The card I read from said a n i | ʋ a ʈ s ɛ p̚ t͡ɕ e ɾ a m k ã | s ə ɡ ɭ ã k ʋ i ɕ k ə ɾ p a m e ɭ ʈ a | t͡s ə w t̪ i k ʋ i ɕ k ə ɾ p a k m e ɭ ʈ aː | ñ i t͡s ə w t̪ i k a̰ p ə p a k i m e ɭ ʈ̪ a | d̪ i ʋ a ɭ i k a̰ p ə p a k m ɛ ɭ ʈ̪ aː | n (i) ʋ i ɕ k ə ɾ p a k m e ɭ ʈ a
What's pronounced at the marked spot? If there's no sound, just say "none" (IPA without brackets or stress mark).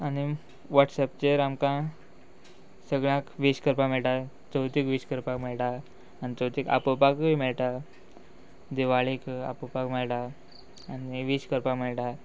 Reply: i